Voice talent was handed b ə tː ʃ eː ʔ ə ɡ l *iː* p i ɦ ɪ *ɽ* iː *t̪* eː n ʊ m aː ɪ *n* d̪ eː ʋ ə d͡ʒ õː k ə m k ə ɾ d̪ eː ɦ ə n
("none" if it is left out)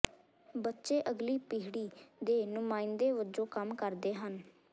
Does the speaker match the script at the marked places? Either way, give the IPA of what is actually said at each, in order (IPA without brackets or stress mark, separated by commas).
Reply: iː, ɽ, d̪, n